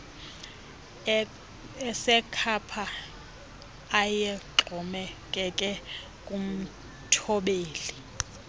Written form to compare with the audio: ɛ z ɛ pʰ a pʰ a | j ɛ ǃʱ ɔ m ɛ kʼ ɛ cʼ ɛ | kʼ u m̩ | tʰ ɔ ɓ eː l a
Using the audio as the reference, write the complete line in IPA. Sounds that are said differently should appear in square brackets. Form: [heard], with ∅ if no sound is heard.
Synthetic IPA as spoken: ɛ [s] ɛ [kʰ] a pʰ a | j ɛ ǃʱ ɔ m ɛ kʼ ɛ [kʼ] ɛ | kʼ u m̩ | tʰ ɔ ɓ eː l [i]